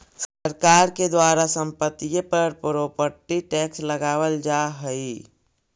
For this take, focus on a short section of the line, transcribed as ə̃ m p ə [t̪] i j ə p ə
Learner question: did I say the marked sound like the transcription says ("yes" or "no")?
yes